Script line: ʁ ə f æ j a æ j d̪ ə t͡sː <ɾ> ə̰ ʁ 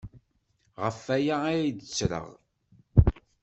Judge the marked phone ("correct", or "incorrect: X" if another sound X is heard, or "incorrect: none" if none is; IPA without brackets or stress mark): correct